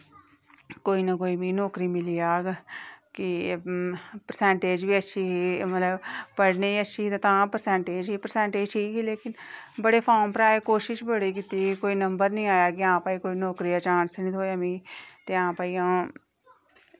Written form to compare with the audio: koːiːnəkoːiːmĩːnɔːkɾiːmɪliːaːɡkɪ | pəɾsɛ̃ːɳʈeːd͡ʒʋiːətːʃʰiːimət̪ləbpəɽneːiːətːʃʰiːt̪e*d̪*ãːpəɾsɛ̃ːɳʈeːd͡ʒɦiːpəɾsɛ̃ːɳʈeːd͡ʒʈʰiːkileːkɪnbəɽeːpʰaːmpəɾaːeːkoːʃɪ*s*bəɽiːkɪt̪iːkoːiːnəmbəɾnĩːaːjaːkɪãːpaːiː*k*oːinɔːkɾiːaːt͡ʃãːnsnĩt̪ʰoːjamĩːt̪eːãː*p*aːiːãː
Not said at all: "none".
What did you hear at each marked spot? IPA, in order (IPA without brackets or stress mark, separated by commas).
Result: t̪, ʃ, k, p